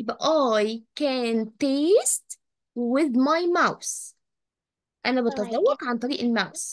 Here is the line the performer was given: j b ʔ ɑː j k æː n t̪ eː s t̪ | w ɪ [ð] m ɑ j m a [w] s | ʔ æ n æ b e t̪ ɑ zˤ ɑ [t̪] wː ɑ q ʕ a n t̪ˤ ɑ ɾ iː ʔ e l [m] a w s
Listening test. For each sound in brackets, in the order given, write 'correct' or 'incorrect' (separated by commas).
correct, correct, incorrect, correct